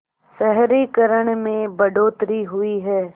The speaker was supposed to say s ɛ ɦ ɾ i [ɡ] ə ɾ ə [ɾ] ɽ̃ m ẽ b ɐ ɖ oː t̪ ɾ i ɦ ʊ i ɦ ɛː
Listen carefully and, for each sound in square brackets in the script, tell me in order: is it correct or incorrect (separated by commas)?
incorrect, incorrect